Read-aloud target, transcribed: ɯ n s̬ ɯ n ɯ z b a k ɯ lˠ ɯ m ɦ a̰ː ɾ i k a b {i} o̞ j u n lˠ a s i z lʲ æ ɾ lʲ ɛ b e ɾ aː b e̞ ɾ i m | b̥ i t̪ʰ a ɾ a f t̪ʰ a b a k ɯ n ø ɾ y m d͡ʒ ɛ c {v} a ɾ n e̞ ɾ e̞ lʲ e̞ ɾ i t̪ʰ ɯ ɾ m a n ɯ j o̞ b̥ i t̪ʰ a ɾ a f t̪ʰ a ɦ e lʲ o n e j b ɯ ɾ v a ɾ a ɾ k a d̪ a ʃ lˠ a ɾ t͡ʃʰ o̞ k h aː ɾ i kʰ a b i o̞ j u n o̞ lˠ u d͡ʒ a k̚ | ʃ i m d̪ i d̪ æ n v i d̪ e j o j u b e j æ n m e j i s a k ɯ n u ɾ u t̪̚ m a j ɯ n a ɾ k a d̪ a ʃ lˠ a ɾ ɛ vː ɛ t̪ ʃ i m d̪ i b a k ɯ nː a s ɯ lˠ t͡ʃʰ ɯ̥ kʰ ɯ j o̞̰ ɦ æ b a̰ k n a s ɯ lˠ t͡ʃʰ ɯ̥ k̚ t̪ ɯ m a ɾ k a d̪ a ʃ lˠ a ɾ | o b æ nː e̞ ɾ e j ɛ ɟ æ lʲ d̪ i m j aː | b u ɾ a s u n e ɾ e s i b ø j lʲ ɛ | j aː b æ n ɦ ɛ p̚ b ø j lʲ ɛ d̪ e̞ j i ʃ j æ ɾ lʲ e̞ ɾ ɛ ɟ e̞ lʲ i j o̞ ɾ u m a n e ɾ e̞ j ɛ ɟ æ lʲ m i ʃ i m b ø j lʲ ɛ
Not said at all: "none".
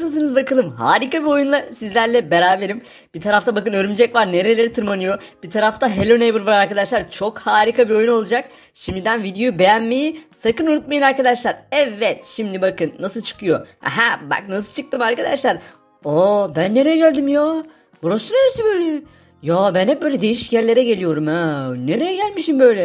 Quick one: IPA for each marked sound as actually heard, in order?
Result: i, v

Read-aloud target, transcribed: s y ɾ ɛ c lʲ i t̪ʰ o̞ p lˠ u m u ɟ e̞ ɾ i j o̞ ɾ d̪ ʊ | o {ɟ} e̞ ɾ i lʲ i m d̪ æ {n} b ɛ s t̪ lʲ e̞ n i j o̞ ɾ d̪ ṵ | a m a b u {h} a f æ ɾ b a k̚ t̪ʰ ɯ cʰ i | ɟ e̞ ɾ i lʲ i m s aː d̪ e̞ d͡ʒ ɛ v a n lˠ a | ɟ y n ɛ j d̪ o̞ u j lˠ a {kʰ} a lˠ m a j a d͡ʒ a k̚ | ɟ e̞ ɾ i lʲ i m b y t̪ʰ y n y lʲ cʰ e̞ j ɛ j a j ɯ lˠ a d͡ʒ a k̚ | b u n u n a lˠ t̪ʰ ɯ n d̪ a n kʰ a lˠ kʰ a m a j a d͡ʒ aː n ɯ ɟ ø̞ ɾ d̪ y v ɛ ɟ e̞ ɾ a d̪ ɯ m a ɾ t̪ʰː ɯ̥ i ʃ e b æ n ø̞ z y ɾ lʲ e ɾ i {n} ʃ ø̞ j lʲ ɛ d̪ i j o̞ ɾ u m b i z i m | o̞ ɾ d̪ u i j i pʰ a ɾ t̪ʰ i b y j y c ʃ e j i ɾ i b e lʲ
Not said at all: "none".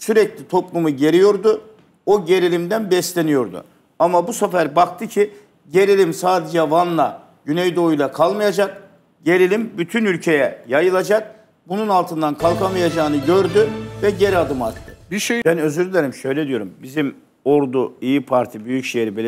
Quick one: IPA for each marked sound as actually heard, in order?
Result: ɟ, n, s, kʰ, m

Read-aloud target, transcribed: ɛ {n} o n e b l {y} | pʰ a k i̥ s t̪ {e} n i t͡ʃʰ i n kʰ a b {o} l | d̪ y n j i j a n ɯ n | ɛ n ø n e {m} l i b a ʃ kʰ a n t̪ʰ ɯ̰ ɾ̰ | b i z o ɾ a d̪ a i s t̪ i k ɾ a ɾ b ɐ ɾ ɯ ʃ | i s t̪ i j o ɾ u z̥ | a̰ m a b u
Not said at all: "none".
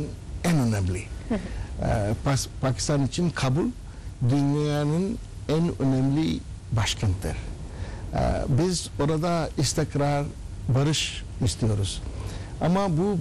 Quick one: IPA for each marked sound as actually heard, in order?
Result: n, i, a, u, m

